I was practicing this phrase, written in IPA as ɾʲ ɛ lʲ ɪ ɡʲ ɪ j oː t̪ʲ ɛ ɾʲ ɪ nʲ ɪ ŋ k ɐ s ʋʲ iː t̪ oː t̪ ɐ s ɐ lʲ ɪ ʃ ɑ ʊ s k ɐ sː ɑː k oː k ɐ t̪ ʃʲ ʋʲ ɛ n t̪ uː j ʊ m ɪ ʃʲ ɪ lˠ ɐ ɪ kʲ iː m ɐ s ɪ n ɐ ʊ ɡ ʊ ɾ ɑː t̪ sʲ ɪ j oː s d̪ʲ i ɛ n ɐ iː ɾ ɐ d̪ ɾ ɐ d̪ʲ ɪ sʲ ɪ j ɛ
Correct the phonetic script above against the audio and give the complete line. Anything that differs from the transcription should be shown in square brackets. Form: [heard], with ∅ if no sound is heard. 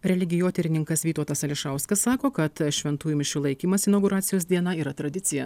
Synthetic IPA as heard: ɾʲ ɛ lʲ ɪ ɡʲ ɪ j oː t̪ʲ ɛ ɾʲ ɪ nʲ ɪ ŋ k ɐ s ʋʲ iː t̪ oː t̪ ɐ s ɐ lʲ ɪ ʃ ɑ ʊ s k ɐ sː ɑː k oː k ɐ t̪ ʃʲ ʋʲ ɛ n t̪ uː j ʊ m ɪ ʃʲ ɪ lˠ ɐ ɪ kʲ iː m ɐ s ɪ n ɐ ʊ ɡ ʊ ɾ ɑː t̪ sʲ ɪ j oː s d̪ʲ i ɛ n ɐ iː ɾ ɐ [t̪] ɾ ɐ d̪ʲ ɪ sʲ ɪ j ɛ